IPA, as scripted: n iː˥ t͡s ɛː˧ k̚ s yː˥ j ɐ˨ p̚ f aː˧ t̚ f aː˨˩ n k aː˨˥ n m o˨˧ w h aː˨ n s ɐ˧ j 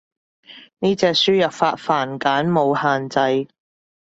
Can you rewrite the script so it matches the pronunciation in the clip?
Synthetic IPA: n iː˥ t͡s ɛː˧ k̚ s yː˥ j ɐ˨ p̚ f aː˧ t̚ f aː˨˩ n k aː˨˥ n m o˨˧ w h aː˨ n t͡s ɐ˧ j